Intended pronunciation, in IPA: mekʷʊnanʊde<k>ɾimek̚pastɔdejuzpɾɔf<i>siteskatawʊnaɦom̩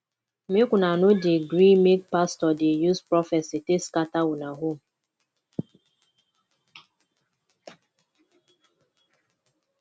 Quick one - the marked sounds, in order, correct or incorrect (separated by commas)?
incorrect, incorrect